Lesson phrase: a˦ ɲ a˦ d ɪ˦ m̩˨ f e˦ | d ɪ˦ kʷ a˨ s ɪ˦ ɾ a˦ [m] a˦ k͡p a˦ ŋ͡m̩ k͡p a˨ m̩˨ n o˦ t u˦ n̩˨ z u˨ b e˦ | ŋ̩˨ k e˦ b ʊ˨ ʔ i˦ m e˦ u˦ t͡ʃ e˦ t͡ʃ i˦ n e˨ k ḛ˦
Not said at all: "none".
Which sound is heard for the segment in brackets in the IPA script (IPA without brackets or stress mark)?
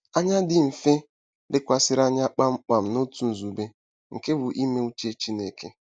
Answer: ɲ